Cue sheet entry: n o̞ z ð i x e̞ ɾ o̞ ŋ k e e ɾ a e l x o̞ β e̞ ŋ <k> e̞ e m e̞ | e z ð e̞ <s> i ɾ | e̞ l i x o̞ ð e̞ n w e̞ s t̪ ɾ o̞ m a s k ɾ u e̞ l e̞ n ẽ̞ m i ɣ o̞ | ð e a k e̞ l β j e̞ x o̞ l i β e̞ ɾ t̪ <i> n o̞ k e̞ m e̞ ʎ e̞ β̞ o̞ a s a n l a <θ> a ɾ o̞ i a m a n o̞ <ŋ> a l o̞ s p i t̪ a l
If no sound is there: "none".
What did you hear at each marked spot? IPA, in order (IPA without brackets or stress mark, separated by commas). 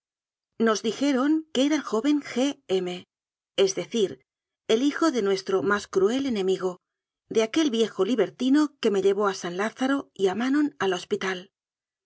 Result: x, θ, i, θ, n